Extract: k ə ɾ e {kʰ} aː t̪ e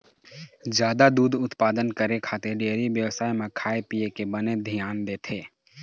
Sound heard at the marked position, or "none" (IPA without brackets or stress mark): kʰ